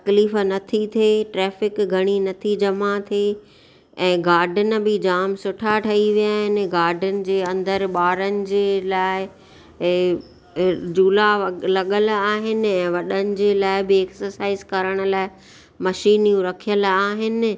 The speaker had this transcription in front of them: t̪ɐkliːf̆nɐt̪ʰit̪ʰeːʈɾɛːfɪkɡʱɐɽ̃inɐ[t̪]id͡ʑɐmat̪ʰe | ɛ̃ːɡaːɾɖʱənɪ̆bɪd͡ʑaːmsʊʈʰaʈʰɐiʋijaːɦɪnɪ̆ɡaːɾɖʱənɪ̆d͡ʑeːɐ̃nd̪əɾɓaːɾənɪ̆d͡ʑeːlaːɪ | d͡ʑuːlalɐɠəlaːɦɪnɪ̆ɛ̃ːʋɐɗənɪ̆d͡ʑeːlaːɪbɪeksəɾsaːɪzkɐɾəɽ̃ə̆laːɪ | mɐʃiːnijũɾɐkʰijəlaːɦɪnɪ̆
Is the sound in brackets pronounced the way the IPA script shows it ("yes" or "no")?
no